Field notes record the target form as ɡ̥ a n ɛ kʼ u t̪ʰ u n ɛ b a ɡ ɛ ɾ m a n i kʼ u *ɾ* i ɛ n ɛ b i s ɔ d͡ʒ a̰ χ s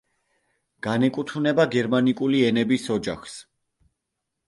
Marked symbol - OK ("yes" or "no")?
no